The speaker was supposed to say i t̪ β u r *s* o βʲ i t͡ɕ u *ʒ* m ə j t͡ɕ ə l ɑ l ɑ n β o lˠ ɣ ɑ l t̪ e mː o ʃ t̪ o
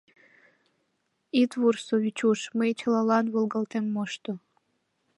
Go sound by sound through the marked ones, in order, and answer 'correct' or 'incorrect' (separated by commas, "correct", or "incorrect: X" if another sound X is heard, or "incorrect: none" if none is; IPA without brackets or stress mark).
correct, incorrect: ʃ